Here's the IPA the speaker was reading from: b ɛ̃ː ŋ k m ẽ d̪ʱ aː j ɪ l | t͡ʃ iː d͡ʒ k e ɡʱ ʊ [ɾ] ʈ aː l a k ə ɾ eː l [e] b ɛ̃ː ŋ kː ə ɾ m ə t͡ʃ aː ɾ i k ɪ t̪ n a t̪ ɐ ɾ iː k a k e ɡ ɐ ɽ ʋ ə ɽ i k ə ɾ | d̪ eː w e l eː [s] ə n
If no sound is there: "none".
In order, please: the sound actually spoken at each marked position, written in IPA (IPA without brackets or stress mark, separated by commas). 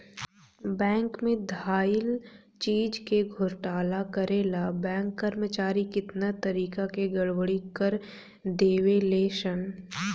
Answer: ɾ, a, ʃ